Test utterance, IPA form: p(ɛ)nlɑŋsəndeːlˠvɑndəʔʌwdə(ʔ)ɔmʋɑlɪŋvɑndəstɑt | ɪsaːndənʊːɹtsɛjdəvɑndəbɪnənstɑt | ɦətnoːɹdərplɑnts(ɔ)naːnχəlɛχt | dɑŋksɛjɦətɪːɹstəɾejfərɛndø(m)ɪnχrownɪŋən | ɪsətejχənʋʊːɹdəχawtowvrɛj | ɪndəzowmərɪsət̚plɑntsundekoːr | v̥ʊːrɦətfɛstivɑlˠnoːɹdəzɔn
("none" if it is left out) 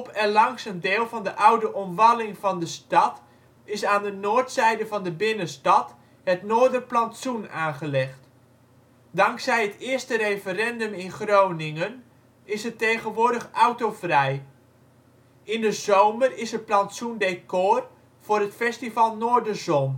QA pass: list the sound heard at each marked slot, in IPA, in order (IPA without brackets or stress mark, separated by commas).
ɛ, ʔ, u, m